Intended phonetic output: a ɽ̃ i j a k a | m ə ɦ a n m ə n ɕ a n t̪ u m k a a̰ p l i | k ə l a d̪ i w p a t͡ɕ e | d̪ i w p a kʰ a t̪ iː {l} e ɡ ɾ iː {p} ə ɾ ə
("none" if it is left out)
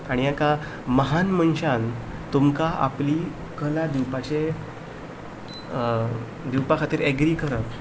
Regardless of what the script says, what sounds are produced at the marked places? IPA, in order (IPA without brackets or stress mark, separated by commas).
ɾ, k